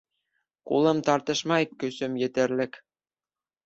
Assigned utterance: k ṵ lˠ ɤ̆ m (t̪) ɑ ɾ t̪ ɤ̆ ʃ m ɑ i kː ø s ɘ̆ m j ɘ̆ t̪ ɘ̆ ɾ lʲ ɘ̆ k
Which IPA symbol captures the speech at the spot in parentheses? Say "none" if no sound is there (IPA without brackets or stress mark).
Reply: t̪